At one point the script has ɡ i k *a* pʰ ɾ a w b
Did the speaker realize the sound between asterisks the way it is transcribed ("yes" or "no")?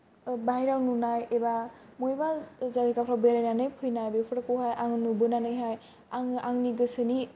yes